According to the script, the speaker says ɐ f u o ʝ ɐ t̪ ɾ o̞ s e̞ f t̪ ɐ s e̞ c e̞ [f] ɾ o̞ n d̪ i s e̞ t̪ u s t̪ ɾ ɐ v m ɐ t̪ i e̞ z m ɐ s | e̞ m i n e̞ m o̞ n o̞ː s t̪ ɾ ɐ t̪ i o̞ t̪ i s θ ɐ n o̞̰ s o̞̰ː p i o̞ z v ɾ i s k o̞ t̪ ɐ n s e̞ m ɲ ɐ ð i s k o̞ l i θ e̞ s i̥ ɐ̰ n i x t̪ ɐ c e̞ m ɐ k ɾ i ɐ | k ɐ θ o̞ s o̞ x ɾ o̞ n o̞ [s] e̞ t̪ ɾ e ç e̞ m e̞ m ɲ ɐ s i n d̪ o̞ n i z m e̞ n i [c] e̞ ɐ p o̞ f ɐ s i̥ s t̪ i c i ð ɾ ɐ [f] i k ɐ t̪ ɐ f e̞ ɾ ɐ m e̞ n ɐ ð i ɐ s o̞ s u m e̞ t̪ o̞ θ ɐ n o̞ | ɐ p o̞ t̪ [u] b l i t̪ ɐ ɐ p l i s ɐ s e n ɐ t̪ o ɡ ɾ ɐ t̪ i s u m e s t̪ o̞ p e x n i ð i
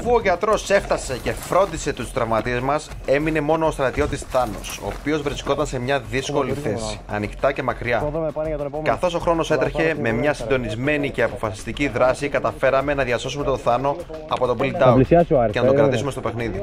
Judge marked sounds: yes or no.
yes, yes, yes, no, no

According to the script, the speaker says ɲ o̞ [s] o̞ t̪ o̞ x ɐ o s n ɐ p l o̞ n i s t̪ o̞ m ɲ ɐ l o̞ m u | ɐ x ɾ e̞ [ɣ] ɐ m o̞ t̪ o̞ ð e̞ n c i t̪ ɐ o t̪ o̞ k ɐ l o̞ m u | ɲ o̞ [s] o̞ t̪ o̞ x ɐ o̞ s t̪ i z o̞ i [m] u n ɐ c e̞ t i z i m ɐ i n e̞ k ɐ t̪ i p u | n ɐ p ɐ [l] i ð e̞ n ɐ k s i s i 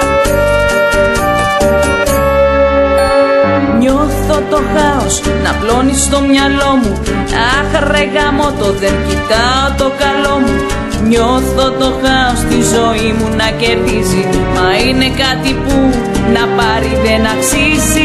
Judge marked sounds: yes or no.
no, yes, no, yes, no

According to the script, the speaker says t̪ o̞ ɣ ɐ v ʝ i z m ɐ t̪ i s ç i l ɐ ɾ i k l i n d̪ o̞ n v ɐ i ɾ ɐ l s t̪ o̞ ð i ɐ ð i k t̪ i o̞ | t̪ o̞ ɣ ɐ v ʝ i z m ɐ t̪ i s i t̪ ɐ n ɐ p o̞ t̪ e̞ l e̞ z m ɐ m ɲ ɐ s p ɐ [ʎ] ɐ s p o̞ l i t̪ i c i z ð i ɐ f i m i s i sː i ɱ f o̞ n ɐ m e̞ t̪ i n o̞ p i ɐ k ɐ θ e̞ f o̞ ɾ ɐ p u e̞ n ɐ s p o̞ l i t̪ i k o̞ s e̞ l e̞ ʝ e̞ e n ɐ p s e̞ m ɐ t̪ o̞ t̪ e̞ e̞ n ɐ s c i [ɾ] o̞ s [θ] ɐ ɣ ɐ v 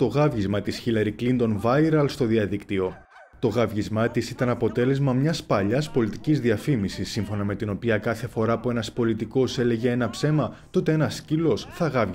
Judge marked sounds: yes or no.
yes, no, yes

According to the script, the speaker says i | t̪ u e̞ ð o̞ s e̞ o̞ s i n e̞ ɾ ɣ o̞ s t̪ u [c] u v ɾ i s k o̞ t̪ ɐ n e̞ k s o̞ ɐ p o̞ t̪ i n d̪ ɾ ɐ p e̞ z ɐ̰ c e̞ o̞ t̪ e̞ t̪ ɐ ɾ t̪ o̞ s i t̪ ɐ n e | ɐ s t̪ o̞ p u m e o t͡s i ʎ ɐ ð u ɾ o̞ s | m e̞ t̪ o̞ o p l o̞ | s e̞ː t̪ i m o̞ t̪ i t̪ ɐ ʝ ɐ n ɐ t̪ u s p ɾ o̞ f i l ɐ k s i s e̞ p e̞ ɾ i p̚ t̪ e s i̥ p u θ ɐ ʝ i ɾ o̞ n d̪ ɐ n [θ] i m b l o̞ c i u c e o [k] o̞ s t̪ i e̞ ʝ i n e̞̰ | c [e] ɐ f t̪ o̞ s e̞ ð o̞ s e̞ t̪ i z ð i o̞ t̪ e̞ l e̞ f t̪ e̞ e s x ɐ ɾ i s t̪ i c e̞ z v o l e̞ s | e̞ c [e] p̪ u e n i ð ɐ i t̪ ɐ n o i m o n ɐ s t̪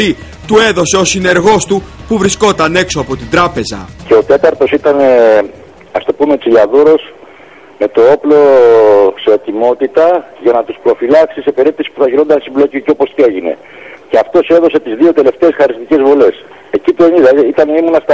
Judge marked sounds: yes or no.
no, no, no, yes, no

